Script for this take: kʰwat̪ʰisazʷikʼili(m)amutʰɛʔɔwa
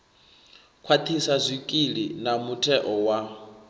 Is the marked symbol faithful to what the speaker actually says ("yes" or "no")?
no